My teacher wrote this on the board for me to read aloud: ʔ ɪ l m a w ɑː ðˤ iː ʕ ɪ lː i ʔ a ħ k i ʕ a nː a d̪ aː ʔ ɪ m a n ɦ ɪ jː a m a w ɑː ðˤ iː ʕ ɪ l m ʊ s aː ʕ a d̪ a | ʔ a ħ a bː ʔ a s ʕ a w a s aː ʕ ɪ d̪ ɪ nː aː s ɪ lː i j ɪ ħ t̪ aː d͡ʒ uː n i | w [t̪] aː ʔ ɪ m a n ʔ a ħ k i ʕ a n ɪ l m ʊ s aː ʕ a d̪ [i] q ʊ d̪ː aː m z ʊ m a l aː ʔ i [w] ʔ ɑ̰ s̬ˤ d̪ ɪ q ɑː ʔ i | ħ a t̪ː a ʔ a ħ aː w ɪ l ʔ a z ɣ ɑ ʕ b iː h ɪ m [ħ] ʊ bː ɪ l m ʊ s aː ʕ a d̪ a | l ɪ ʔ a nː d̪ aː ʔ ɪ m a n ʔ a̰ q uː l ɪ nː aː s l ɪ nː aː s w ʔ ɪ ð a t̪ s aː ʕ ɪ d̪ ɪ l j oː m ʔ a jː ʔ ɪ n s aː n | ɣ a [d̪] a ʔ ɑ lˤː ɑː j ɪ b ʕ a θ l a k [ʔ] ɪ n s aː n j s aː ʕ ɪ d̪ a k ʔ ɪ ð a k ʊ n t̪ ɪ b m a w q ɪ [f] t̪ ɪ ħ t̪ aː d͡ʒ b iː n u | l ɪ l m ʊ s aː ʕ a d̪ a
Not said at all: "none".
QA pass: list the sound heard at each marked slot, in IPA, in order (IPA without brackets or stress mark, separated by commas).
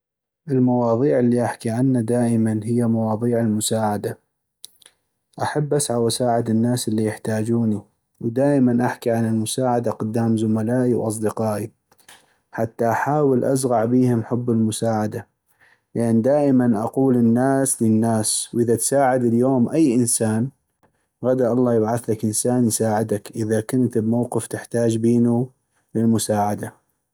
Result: d̪, a, w, ħ, d̪, ʔ, f